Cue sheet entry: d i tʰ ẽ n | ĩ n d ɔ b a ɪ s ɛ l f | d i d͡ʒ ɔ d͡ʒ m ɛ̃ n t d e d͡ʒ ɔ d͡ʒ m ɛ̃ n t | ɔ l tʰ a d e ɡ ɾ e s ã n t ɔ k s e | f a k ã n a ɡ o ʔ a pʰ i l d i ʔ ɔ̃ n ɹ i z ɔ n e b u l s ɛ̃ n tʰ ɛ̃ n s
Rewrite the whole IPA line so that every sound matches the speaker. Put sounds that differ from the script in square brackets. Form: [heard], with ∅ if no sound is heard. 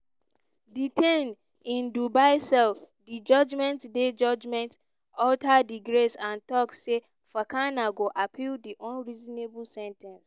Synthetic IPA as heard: d i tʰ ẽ n | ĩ n d [u] b a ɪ s ɛ l f | d i d͡ʒ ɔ d͡ʒ m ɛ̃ n t d e d͡ʒ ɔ d͡ʒ m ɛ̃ n t | ɔ l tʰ a d [i] ɡ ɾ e s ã n t ɔ k s e | f a k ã n a ɡ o ʔ a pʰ i l d i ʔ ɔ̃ n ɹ i z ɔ n e b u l s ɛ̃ n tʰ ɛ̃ n s